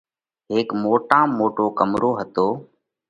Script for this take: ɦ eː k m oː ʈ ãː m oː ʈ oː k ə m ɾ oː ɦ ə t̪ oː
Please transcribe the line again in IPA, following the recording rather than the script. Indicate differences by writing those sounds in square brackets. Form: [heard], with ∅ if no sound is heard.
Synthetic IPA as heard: ɦ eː k m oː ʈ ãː m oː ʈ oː k ə m ɾ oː ɦ ə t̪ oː

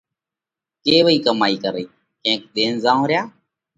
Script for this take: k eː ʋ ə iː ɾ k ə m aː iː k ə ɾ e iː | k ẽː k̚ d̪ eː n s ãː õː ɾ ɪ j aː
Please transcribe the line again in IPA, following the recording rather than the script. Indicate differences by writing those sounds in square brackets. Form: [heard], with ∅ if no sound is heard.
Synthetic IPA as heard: k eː ʋ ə iː [∅] k ə m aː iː k ə ɾ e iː | k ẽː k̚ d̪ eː n [z] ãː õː ɾ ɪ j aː

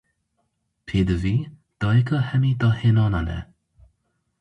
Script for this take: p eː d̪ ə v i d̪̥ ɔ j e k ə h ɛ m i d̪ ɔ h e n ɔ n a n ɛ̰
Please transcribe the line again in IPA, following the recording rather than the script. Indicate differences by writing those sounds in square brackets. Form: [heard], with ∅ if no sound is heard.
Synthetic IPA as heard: [pʰ] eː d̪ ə v i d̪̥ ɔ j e k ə h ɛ m i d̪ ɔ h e n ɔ n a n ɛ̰

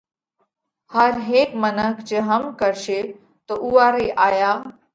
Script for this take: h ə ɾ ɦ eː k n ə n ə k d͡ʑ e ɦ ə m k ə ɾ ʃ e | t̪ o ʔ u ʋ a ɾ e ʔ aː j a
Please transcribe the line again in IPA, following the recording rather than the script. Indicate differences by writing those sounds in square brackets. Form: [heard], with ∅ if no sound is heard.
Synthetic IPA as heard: h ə ɾ ɦ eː k [m] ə n ə k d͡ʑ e ɦ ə m k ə ɾ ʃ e | t̪ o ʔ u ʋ a ɾ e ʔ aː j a

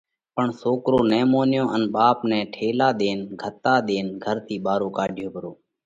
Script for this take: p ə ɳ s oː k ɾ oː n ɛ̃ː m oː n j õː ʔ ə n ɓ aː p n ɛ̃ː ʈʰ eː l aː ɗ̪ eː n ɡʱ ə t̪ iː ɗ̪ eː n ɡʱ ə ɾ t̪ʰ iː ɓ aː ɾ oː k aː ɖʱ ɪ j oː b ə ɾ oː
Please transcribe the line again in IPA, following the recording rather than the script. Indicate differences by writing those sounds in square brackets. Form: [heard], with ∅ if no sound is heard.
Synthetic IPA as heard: p ə ɳ s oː k ɾ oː n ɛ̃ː m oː n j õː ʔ ə n ɓ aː p n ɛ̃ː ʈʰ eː l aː ɗ̪ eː n ɡʱ ə t̪ [aː] ɗ̪ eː n ɡʱ ə ɾ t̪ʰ iː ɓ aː ɾ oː k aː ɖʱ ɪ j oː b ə ɾ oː

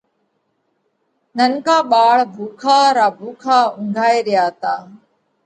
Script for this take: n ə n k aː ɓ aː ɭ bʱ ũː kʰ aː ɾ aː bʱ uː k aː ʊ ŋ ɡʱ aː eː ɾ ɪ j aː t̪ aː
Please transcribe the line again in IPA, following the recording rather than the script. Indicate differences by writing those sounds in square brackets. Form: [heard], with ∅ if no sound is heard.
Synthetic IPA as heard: n ə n k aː ɓ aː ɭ bʱ [uː] kʰ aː ɾ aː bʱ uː [kʰ] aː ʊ ŋ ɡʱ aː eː ɾ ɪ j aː t̪ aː

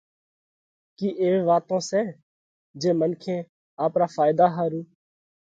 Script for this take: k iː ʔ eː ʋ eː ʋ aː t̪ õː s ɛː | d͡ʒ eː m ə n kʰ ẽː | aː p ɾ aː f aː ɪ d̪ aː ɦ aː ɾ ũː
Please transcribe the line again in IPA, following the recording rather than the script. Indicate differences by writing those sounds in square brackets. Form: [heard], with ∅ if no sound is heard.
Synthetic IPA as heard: k iː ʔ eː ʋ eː ʋ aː t̪ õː s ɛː | d͡ʒ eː m ə n kʰ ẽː | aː p ɾ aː f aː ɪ d̪ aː ɦ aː ɾ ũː

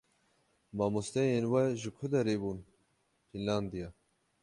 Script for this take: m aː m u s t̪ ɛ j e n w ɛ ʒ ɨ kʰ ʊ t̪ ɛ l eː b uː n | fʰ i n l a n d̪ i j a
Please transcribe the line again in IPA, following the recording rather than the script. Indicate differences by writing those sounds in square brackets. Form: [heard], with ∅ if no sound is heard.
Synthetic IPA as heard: m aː m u s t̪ ɛ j e n w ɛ ʒ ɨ kʰ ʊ [d̪] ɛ [ɾ] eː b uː n | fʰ i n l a n d̪ i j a

